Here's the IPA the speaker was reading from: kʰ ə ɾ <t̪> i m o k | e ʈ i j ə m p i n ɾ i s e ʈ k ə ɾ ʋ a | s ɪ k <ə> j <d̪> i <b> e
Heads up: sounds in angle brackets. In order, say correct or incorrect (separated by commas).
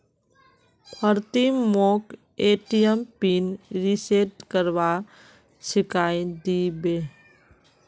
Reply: correct, incorrect, correct, correct